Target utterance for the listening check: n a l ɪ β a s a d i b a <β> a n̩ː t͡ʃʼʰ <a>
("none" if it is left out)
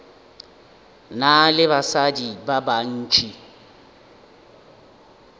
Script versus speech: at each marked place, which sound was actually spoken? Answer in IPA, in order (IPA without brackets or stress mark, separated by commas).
b, i